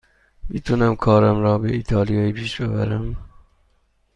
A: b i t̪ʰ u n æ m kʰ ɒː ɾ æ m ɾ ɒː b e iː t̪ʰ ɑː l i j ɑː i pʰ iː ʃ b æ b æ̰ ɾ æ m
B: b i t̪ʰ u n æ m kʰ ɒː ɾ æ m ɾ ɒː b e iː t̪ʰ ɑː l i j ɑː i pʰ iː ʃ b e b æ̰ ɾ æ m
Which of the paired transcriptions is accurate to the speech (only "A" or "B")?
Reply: B